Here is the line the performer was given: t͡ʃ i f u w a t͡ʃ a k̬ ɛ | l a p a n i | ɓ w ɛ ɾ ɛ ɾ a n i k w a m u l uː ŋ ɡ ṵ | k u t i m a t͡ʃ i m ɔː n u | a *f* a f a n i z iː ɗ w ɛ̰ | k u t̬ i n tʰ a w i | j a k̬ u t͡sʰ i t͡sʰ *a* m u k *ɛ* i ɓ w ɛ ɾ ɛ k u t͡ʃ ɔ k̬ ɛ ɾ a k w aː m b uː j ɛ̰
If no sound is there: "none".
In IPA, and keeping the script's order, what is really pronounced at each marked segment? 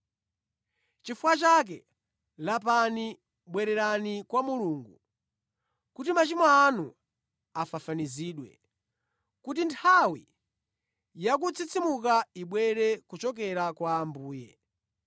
f, i, a

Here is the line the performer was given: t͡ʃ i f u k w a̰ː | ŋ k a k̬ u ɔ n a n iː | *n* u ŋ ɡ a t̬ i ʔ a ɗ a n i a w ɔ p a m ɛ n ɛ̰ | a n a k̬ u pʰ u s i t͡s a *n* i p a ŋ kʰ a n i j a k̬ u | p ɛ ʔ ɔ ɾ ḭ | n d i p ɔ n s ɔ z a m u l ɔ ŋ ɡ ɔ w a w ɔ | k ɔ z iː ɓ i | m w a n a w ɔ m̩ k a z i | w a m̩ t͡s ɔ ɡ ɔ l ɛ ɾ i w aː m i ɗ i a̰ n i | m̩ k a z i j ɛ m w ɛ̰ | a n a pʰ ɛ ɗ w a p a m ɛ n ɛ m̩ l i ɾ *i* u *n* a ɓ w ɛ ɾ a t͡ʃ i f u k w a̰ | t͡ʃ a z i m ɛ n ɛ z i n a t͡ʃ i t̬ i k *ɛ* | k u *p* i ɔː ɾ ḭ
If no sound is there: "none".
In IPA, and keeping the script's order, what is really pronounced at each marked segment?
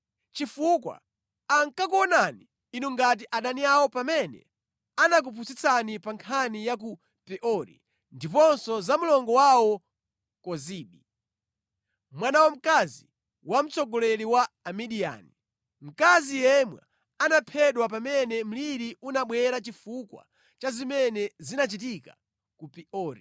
n, n, i, n, a, p

